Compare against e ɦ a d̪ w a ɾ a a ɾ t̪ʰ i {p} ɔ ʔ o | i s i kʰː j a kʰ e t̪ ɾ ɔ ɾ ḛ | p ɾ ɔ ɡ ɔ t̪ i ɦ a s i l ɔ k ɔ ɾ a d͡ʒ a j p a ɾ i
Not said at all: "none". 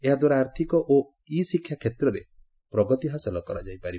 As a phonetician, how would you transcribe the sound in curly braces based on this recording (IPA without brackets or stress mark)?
k